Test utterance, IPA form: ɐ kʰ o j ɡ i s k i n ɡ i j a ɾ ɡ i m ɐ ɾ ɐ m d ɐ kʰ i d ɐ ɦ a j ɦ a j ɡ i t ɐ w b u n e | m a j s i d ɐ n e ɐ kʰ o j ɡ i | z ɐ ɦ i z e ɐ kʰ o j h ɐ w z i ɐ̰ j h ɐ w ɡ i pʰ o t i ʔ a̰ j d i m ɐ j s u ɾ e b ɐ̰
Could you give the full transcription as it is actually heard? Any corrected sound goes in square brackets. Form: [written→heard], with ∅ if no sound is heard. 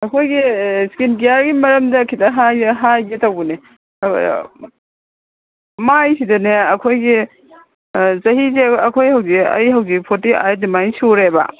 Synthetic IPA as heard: ɐ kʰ o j ɡ i s k i n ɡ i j a ɾ ɡ i m ɐ ɾ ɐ m d ɐ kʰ i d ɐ ɦ a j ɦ a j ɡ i t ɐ w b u n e | m a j s i d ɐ n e ɐ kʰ o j ɡ i | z ɐ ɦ i z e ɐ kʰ o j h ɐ w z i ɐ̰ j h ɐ w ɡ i pʰ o t i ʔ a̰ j d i m [ɐ→a] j s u ɾ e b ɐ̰

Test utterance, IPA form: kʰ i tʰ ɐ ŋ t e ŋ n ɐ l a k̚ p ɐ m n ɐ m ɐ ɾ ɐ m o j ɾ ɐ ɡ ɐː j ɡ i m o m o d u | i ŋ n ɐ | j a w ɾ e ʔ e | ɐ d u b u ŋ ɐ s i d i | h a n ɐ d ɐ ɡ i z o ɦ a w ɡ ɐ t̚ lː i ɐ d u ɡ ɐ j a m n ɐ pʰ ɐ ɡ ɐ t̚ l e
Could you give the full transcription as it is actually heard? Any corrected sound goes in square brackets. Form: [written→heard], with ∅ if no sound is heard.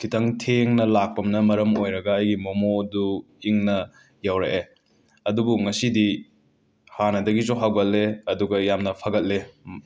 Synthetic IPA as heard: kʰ i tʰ ɐ ŋ [t→tʰ] e ŋ n ɐ l a k̚ p ɐ m n ɐ m ɐ ɾ ɐ m o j ɾ ɐ ɡ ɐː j ɡ i m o m o d u | i ŋ n ɐ | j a w ɾ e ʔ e | ɐ d u b u ŋ ɐ s i d i | h a n ɐ d ɐ ɡ i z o ɦ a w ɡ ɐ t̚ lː [i→e] ɐ d u ɡ ɐ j a m n ɐ pʰ ɐ ɡ ɐ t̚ l e

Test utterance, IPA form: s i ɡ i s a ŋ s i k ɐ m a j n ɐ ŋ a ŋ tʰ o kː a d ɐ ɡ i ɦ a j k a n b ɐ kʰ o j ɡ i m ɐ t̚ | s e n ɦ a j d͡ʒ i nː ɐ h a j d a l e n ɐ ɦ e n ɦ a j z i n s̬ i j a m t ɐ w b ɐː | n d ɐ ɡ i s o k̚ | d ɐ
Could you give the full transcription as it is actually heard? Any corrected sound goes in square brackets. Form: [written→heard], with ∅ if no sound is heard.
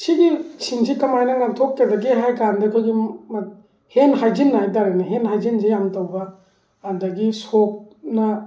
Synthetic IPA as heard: s i ɡ i s [a→i] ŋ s i k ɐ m a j n ɐ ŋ a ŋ tʰ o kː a d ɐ ɡ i ɦ a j k a n [b→d] ɐ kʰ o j ɡ i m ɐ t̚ | [s→h] e n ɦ a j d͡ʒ i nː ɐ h a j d a [l→ɾ] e n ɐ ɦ e n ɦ a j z i n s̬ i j a m t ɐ w b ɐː | n d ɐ ɡ i s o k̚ | [d→n] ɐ

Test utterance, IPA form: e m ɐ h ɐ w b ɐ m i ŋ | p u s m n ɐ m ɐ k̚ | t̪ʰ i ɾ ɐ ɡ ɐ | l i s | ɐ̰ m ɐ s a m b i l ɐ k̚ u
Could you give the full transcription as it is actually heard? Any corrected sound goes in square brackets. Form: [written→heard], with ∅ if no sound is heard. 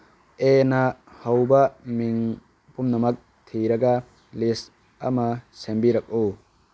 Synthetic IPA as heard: e [m→n] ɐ h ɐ w b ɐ m i ŋ | p u [s→∅] m n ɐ m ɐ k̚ | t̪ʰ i ɾ ɐ ɡ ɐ | l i s | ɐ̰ m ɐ s [a→e] m b i [l→ɾ] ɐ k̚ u

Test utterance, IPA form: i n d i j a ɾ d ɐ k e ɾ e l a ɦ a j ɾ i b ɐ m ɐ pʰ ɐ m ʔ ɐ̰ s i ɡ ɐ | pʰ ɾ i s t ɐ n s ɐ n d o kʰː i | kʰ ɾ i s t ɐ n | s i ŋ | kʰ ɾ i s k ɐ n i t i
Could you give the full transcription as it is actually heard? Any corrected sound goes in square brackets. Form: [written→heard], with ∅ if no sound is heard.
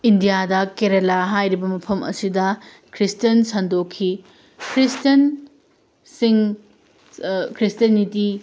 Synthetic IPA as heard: i n d i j a [ɾ→∅] d ɐ k e ɾ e l a ɦ a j ɾ i b ɐ m ɐ pʰ ɐ m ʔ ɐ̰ s i [ɡ→d] ɐ | [pʰ→kʰ] ɾ i s t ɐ n s ɐ n d o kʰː i | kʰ ɾ i s t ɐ n | s i ŋ | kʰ ɾ i s [k→t] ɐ n i t i

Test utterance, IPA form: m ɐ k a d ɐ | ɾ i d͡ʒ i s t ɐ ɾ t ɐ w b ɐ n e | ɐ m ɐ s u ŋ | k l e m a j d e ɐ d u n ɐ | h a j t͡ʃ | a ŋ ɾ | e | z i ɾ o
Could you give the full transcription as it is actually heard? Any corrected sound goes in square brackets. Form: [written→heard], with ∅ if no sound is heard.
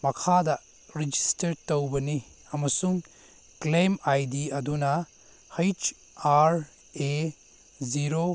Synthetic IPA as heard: m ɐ [k→kʰ] a d ɐ | ɾ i d͡ʒ i s t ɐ ɾ t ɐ w b ɐ n [e→i] | ɐ m ɐ s u ŋ | k l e m a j d [e→i] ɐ d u n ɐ | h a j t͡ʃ | a [ŋ→∅] ɾ | e | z i ɾ o

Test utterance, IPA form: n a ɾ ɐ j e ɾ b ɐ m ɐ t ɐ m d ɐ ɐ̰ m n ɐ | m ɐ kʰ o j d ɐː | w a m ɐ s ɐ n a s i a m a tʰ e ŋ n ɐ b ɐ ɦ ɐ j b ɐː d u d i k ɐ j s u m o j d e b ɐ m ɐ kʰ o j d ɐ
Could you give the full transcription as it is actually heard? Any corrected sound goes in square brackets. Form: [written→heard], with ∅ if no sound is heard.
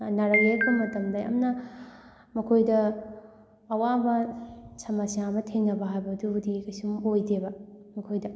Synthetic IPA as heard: n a ɾ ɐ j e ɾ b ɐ m ɐ t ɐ m d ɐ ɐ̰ m n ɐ | m ɐ kʰ o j d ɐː | w a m ɐ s ɐ [n→m] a s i a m [a→ɐ] tʰ e ŋ n ɐ b ɐ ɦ [ɐ→a] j b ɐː d u d i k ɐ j s u m o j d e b ɐ m ɐ kʰ o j d ɐ

